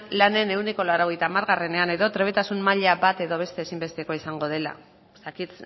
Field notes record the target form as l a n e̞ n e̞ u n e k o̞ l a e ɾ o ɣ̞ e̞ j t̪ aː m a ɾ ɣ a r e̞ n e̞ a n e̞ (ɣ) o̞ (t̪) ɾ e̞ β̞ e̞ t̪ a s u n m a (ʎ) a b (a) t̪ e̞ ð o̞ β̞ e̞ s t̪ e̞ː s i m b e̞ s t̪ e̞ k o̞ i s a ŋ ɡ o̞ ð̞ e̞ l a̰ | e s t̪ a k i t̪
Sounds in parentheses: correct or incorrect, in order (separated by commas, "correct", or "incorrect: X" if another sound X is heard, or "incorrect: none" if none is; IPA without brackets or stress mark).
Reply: incorrect: ð, correct, correct, correct